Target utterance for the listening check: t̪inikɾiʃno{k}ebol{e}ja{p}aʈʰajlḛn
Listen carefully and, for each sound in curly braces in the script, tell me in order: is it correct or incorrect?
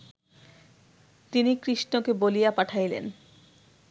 correct, incorrect: i, correct

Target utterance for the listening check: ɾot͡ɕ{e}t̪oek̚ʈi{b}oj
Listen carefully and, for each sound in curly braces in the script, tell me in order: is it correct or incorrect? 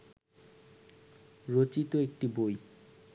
incorrect: i, correct

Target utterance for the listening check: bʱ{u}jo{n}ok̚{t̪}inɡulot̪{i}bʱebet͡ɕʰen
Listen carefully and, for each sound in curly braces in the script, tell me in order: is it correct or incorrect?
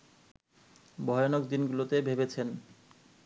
incorrect: ɔ, correct, incorrect: d̪, incorrect: e

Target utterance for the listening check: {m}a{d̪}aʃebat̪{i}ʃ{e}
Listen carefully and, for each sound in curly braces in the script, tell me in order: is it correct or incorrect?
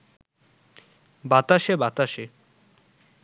incorrect: b, incorrect: t̪, incorrect: a, correct

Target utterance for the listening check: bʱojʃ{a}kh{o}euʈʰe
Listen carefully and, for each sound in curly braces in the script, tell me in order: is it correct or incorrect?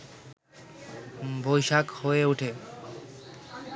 correct, correct

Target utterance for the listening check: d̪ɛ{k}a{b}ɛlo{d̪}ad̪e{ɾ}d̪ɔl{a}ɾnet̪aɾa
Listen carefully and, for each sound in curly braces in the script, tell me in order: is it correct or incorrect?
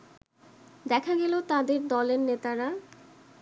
incorrect: kʰ, incorrect: ɡ, incorrect: t̪, correct, incorrect: e

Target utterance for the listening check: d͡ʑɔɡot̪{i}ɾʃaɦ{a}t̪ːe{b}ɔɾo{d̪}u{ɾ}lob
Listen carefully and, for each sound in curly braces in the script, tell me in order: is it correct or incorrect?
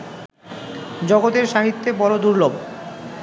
incorrect: e, incorrect: i, correct, correct, correct

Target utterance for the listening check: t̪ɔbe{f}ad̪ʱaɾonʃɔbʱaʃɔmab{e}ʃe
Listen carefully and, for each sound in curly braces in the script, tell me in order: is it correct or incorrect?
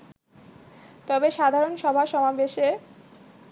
incorrect: ʃ, correct

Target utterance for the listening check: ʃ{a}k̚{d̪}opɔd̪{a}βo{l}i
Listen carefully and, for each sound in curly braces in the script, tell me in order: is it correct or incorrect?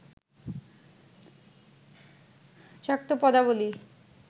correct, incorrect: t̪, correct, correct

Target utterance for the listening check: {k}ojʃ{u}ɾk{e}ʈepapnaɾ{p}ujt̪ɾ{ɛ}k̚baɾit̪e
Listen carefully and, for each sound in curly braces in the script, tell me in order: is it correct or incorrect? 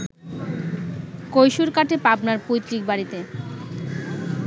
correct, correct, incorrect: a, correct, incorrect: i

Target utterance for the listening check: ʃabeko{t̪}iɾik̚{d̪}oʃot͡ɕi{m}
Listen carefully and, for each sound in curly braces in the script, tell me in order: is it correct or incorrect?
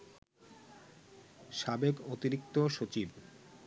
correct, incorrect: t̪, incorrect: b

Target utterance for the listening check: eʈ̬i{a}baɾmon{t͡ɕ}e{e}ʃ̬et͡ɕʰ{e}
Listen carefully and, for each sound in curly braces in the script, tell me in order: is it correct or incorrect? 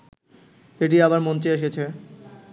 correct, correct, correct, correct

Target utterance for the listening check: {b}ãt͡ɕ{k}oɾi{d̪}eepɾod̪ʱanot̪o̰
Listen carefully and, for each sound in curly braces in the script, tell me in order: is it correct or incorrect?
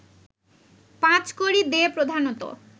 incorrect: p, correct, correct

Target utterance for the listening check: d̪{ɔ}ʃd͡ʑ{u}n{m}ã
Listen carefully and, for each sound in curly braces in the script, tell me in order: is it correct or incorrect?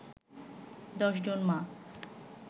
correct, incorrect: o, correct

